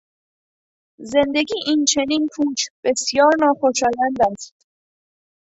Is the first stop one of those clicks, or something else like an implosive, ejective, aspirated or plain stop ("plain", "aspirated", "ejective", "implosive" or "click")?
plain